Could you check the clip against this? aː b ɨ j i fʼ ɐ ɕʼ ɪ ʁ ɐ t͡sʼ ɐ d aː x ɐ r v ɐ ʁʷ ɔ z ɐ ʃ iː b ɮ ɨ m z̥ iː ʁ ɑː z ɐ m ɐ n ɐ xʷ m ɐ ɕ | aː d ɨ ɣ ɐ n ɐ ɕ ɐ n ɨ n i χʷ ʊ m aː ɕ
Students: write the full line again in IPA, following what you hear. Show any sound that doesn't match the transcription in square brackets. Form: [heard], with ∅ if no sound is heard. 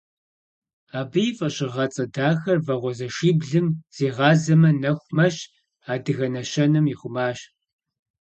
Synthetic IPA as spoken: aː b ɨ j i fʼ ɐ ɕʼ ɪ ʁ ɐ t͡sʼ ɐ d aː x ɐ r v ɐ ʁʷ ɔ z ɐ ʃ iː b ɮ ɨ m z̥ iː ʁ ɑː z ɐ m ɐ n ɐ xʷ m ɐ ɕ | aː d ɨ ɣ ɐ n ɐ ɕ ɐ n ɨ [m] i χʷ ʊ m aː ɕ